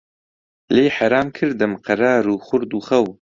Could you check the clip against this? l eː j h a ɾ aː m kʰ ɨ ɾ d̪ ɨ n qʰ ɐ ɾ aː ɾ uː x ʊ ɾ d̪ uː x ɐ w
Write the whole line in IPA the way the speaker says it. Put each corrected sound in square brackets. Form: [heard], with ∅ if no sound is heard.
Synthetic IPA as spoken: l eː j [ħ] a ɾ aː m kʰ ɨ ɾ d̪ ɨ [m] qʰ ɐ ɾ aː ɾ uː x ʊ ɾ d̪ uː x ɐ w